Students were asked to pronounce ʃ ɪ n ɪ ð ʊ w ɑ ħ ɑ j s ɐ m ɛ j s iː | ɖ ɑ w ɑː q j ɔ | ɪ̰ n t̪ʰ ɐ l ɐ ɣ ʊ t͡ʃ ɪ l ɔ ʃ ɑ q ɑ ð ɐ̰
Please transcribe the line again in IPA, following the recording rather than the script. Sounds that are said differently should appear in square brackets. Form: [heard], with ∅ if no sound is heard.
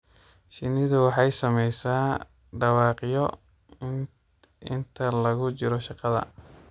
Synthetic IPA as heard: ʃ ɪ n ɪ ð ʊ w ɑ ħ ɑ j s ɐ m ɛ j s [aː] | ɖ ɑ w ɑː q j ɔ | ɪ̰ n t̪ʰ ɐ l ɐ ɣ ʊ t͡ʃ ɪ [ɾ] ɔ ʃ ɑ q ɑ ð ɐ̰